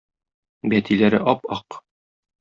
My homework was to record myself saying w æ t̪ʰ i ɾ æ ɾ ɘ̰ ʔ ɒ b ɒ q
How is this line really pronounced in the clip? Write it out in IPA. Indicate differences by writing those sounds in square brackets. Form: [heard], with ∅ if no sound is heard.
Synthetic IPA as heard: [b] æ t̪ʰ i [l] æ ɾ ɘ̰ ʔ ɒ [p] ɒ q

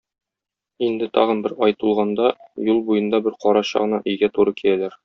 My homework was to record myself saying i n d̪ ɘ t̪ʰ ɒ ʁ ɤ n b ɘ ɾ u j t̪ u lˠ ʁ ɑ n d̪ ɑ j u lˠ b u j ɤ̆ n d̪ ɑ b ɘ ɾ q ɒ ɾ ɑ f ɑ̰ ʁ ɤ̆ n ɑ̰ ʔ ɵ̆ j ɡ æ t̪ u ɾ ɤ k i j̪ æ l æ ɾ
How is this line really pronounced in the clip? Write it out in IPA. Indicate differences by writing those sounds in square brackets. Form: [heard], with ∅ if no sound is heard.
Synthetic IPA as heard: i n d̪ ɘ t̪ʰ ɒ ʁ ɤ n b ɘ ɾ [ɒ] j t̪ u lˠ ʁ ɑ n d̪ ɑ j u lˠ b u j ɤ̆ n d̪ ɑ b ɘ ɾ q ɒ ɾ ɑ [ɕ] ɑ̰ ʁ ɤ̆ n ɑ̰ ʔ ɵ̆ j ɡ æ t̪ u ɾ ɤ k i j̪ æ l æ ɾ

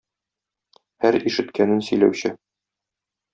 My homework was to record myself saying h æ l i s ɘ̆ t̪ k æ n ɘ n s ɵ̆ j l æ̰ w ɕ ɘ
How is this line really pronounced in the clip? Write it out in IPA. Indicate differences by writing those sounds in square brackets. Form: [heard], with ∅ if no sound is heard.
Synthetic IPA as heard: h æ [ɾ] i [ʃ] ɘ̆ t̪ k æ n ɘ n s ɵ̆ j l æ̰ w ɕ ɘ

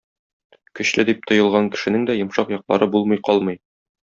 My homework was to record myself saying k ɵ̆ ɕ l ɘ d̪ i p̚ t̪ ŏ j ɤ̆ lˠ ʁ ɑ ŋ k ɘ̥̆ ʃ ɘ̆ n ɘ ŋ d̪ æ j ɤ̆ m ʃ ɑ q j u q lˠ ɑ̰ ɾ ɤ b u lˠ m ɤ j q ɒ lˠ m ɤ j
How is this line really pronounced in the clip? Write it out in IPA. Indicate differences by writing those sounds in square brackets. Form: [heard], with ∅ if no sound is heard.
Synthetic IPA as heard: k ɵ̆ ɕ l ɘ d̪ i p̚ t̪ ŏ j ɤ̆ lˠ ʁ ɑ ŋ k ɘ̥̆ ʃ ɘ̆ n ɘ ŋ d̪ æ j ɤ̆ m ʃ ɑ q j [ɒ] q lˠ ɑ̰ ɾ ɤ b u lˠ m ɤ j q ɒ lˠ m ɤ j

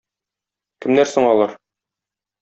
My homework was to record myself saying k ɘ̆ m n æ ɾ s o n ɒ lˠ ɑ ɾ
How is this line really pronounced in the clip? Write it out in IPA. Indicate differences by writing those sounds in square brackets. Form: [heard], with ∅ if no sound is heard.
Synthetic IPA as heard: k ɘ̆ m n æ ɾ s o [ɴ] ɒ lˠ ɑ ɾ

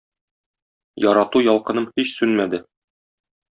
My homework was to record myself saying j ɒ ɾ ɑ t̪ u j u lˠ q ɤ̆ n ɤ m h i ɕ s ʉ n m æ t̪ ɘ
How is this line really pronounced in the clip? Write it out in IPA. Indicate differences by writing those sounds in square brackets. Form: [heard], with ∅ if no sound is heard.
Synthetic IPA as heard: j ɒ ɾ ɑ t̪ u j [ɒ] lˠ q ɤ̆ n ɤ m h i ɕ s ʉ n m æ [d̪] ɘ

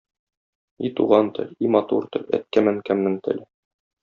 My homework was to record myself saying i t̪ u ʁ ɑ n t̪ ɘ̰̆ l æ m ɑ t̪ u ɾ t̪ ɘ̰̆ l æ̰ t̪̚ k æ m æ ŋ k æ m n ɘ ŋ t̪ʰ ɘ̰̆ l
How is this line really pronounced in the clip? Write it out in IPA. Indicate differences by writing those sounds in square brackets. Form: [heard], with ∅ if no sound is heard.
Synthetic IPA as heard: i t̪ u ʁ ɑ n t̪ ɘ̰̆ l [i] m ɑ t̪ u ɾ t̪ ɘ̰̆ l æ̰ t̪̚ k æ m æ ŋ k æ m n ɘ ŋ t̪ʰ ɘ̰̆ l

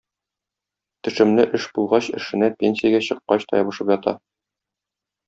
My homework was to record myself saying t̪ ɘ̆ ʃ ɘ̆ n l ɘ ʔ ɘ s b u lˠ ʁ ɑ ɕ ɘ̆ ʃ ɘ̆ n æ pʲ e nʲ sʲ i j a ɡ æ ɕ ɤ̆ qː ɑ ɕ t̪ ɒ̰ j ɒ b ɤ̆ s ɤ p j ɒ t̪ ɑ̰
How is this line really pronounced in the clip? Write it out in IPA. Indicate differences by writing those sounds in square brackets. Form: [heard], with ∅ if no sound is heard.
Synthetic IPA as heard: t̪ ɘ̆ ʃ ɘ̆ [m] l ɘ ʔ ɘ [ʃ] b u lˠ ʁ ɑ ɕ ɘ̆ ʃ ɘ̆ n æ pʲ e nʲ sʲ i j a ɡ æ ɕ ɤ̆ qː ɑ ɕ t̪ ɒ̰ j ɒ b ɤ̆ [ʃ] ɤ p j ɒ t̪ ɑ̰

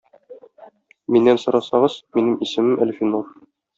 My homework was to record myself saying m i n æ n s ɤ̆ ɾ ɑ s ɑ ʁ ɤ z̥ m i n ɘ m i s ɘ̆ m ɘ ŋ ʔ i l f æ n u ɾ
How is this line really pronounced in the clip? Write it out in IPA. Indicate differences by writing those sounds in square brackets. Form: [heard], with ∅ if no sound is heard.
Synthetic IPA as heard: m i [nː] æ n s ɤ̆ ɾ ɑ s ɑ ʁ ɤ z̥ m i n ɘ m i s ɘ̆ m ɘ [m] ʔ [æ] l f [i] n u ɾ

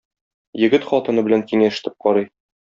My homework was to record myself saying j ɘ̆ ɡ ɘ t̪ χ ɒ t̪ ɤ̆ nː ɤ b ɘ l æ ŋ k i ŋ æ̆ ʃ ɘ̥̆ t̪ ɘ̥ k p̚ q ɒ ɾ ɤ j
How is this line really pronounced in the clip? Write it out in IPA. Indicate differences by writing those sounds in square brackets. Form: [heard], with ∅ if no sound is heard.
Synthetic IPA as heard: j ɘ̆ ɡ ɘ t̪ χ ɒ t̪ ɤ̆ [n] ɤ b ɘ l æ ŋ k i ŋ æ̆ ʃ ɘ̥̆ t̪ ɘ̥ [∅] p̚ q ɒ ɾ ɤ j

